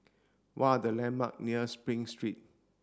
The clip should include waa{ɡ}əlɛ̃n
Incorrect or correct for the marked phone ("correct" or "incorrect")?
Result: incorrect